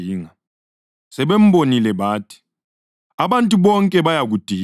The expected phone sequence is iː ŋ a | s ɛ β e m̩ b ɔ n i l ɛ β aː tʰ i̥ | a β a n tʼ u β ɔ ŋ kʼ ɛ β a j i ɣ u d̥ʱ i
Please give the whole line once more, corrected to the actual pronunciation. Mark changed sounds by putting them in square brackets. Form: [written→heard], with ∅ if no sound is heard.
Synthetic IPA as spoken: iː ŋ a | s ɛ β e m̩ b [ɔ→o] n i l ɛ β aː tʰ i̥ | a β a n tʼ u β ɔ ŋ kʼ ɛ β a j [i→a] ɣ u d̥ʱ i